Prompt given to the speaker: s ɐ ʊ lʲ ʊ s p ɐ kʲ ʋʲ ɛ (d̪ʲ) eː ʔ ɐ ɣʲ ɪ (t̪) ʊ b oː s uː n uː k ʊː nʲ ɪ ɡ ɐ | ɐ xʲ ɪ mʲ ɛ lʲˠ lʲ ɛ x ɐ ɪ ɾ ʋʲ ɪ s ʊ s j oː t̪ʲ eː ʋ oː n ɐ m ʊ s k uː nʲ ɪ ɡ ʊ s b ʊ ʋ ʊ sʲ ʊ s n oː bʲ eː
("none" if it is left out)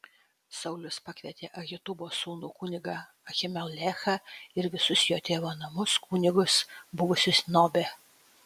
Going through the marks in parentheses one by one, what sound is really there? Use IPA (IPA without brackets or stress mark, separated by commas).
t̪ʲ, t̪